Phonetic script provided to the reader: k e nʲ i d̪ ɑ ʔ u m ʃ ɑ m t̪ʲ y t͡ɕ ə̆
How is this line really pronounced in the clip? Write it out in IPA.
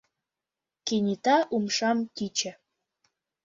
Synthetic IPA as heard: k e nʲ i t̪ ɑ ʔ u m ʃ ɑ m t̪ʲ i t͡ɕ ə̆